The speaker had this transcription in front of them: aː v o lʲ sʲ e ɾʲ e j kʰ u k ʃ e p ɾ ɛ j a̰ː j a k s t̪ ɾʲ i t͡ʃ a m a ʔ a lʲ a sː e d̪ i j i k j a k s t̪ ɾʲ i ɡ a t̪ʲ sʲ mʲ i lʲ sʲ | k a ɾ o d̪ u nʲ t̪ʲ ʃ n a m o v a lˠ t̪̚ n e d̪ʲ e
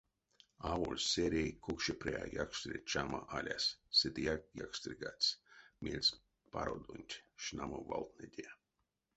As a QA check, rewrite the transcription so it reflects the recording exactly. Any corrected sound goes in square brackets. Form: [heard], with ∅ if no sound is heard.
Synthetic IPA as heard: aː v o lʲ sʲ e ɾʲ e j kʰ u k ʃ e p ɾ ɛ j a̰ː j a k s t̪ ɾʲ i t͡ʃ a m a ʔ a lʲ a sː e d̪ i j [a] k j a k s t̪ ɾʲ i ɡ a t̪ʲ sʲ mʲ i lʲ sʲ | [p] a ɾ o d̪ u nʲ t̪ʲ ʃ n a m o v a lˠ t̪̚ n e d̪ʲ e